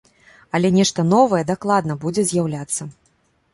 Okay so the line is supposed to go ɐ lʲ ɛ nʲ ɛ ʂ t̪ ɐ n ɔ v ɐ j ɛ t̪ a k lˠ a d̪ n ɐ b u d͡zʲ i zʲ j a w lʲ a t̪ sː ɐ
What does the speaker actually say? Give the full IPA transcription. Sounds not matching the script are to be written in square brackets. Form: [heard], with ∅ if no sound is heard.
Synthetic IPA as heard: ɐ lʲ ɛ nʲ ɛ ʂ t̪ ɐ n ɔ v ɐ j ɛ [d̪] a k lˠ a d̪ n ɐ b u d͡zʲ [ɛ] zʲ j a w lʲ a t̪ sː ɐ